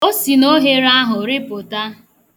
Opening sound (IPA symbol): o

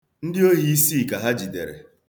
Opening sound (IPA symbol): n̩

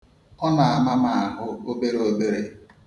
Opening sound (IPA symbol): ɔ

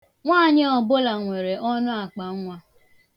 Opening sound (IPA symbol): ŋʷ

